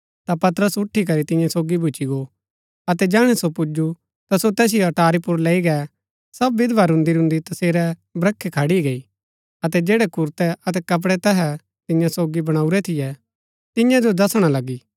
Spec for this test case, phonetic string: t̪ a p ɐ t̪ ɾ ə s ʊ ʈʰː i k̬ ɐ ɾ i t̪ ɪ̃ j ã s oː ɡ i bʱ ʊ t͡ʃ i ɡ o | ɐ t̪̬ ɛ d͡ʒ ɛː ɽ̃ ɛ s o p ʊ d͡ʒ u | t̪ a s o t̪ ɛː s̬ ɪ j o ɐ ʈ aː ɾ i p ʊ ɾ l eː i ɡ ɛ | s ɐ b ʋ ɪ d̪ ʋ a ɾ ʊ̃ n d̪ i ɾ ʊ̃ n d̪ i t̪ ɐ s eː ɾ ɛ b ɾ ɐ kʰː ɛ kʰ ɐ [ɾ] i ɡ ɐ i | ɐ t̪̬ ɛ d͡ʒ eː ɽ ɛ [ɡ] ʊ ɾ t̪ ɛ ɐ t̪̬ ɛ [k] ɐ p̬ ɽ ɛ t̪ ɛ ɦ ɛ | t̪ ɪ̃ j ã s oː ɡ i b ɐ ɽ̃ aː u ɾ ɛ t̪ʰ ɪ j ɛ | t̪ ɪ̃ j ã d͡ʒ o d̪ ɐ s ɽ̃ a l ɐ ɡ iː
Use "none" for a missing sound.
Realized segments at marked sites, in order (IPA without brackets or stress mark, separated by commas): ɽ, k, k